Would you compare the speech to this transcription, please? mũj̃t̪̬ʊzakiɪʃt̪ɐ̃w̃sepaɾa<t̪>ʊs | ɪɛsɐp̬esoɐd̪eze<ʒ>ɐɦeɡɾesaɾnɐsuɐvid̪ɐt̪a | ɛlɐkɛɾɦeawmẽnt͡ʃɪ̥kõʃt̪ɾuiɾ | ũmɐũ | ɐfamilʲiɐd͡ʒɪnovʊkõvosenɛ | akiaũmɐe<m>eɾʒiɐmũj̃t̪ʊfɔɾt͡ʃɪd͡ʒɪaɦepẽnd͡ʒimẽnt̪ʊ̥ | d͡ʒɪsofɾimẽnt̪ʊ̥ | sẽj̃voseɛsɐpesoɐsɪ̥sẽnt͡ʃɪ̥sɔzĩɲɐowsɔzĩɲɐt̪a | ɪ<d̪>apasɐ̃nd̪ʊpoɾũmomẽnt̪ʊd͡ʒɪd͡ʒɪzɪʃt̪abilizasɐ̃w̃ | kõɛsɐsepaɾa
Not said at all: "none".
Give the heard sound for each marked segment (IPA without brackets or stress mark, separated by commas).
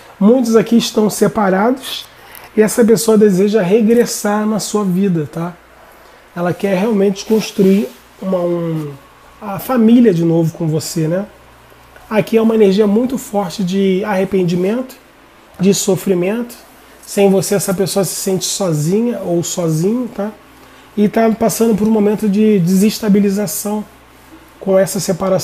d̪, ʒ, n, t̪